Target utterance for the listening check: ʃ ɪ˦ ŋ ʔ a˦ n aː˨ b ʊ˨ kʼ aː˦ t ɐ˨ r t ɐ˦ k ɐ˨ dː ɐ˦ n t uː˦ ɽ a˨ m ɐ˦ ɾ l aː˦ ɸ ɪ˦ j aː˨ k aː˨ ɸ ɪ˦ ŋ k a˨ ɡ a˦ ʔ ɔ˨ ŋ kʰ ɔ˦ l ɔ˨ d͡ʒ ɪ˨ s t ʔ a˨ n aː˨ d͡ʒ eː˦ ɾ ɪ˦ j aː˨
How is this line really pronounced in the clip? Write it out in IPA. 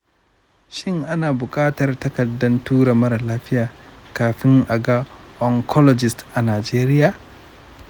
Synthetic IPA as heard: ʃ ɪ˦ ŋ ʔ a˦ n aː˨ b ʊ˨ kʼ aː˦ t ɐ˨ r t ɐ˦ k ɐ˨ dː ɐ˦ n t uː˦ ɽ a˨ m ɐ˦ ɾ l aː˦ ɸ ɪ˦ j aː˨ k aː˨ ɸ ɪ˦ ŋ ʔ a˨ ɡ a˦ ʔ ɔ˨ ŋ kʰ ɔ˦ l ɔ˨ d͡ʒ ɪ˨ s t ʔ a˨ n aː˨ d͡ʒ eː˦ ɾ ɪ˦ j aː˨